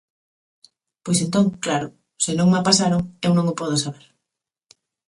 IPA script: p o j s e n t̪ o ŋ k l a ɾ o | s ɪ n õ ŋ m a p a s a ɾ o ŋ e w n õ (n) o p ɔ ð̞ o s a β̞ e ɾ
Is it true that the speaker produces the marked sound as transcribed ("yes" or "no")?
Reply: no